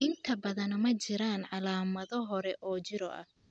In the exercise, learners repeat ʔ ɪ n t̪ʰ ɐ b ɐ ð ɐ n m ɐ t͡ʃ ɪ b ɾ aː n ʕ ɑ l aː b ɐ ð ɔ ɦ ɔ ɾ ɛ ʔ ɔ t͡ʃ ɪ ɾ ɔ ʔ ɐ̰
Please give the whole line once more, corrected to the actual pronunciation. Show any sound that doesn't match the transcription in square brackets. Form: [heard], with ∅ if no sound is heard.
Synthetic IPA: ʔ ɪ n t̪ʰ ɐ b ɐ ð ɐ n m ɐ t͡ʃ ɪ [∅] ɾ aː n ʕ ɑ l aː [m] ɐ ð ɔ ɦ ɔ ɾ ɛ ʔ [ɔː] t͡ʃ ɪ ɾ ɔ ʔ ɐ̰